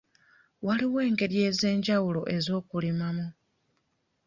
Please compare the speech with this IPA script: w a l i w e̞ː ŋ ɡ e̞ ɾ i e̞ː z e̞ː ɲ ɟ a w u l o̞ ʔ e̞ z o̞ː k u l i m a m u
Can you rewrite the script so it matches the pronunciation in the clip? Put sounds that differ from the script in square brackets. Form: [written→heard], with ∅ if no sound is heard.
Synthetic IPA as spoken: w a l i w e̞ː ŋ ɡ e̞ ɾ [i→j] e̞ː z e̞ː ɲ ɟ a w u l o̞ ʔ e̞ z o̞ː k u l i m a m u